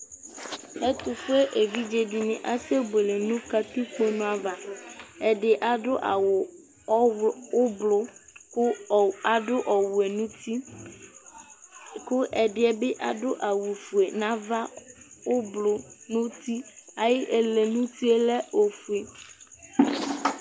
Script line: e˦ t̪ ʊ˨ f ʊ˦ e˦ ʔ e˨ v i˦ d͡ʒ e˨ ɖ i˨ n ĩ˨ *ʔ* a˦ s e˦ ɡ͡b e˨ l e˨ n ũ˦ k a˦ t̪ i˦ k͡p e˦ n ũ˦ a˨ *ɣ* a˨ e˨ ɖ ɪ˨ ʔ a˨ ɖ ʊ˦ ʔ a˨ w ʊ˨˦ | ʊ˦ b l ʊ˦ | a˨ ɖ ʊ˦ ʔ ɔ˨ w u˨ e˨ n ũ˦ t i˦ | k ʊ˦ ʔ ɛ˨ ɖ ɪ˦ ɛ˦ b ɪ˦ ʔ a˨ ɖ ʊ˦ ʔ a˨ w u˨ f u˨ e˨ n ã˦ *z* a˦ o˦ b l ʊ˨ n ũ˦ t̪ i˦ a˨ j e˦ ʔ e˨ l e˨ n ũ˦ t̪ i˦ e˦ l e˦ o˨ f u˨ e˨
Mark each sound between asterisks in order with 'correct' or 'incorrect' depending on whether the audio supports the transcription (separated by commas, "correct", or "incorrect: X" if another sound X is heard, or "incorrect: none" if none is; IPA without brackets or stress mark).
correct, incorrect: v, incorrect: v